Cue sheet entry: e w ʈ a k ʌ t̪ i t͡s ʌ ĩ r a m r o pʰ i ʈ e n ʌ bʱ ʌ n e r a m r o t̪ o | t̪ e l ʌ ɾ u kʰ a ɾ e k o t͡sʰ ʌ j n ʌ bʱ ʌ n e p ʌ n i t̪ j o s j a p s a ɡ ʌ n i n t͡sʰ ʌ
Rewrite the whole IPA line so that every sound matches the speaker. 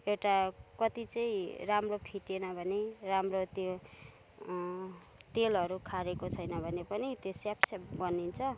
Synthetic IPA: e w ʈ a k ʌ t̪ i t͡s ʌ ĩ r a m r o pʰ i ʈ e n ʌ bʱ ʌ n e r a m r o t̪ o | t̪ e l ʌ ɾ u kʰ a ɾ e k o t͡sʰ ʌ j n ʌ bʱ ʌ n e p ʌ n i t̪ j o s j a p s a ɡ ʌ n i n t͡sʰ ʌ